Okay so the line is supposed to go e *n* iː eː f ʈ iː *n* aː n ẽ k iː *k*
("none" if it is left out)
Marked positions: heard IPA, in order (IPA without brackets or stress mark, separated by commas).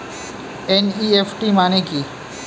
n, m, none